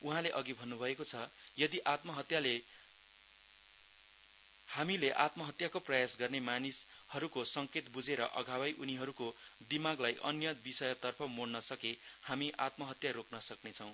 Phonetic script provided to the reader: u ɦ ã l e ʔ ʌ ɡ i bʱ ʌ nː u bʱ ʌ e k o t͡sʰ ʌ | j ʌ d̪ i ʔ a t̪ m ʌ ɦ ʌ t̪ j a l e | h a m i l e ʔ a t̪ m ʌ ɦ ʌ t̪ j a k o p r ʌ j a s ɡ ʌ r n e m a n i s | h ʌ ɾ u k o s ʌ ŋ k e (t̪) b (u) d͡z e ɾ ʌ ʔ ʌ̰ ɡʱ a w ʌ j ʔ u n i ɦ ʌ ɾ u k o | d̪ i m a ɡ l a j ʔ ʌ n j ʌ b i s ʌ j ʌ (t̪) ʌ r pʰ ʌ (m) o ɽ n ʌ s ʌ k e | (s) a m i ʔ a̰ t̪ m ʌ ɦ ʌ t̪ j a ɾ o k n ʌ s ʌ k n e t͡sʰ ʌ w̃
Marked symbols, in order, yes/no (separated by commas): yes, yes, yes, yes, no